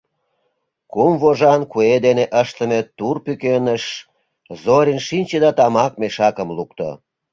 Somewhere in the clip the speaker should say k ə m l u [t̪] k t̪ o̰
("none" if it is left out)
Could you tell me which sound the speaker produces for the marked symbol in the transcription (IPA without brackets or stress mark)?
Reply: none